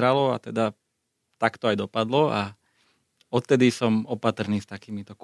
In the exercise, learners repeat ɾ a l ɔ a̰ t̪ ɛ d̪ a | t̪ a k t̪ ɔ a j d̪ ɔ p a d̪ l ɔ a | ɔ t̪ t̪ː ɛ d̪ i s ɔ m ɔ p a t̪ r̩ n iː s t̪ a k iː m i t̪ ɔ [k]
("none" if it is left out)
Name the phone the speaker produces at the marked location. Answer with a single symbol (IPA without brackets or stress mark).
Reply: k